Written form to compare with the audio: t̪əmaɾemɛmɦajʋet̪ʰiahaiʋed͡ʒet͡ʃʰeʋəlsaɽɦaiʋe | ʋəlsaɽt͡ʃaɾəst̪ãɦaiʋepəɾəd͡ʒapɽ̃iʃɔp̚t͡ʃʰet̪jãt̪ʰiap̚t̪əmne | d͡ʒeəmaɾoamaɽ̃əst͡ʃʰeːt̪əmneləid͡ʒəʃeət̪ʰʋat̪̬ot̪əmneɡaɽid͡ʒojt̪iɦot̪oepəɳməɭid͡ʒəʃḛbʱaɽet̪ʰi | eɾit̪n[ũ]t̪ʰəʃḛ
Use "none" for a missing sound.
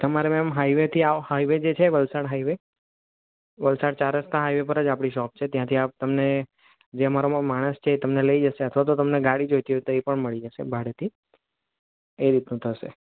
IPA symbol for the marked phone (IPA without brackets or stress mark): ũ